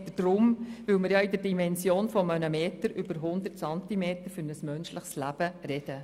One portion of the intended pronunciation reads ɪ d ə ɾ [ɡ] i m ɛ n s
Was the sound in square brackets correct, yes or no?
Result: no